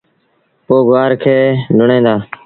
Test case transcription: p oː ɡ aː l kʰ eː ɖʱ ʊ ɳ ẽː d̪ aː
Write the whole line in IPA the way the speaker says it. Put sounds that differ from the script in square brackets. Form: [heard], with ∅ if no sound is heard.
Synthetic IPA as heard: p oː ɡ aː [ɾ] kʰ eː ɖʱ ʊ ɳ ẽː d̪ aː